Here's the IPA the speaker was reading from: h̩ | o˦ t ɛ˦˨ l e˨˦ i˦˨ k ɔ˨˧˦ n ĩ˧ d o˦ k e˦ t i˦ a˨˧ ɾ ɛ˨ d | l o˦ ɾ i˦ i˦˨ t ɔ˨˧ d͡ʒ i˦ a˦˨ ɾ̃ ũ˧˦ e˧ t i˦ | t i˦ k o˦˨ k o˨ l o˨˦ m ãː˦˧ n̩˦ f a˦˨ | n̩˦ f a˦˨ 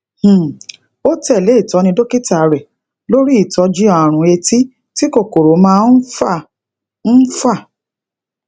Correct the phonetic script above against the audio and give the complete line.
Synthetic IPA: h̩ | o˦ t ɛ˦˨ l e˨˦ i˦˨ t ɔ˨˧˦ n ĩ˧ d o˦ k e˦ t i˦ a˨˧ ɾ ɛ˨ | l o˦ ɾ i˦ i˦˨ t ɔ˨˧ d͡ʒ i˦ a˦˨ ɾ̃ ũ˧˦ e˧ t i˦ | t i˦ k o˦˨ k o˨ ɾ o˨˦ m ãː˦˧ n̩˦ f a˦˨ | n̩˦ f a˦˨